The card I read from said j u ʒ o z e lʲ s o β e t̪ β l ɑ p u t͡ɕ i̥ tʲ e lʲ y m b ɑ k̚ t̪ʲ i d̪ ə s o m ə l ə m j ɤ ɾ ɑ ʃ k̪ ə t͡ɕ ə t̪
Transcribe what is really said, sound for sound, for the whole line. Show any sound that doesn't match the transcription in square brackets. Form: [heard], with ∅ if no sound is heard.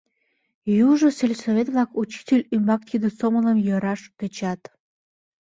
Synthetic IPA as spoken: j u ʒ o [s] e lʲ s o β e t̪ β l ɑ [k] u t͡ɕ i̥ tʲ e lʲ y m b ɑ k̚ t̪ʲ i d̪ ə s o m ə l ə m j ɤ ɾ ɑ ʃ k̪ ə t͡ɕ [ɑ] t̪